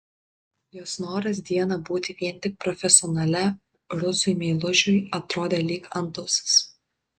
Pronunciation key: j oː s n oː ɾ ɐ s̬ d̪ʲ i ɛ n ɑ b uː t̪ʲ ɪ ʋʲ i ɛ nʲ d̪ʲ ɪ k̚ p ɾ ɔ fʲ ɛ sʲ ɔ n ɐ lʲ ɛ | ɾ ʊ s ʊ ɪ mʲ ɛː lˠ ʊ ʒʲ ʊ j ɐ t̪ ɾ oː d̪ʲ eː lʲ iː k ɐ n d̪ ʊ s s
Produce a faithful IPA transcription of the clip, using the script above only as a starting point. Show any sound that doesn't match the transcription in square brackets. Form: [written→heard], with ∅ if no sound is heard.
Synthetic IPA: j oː s n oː ɾ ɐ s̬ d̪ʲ i ɛ n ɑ b uː t̪ʲ ɪ ʋʲ i ɛ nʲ [d̪ʲ→t̪ʲ] ɪ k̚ p ɾ ɔ fʲ ɛ sʲ ɔ n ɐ lʲ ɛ | ɾ ʊ s ʊ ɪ mʲ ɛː lˠ ʊ ʒʲ ʊ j ɐ t̪ ɾ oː d̪ʲ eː lʲ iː k ɐ n [d̪→t̪] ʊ s s